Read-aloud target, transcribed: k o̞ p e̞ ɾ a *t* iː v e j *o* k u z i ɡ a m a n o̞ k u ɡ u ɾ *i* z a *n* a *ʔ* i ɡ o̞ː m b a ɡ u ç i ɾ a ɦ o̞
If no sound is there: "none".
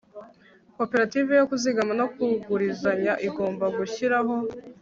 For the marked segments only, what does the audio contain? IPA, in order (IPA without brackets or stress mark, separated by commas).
t, o, i, ɲ, ʔ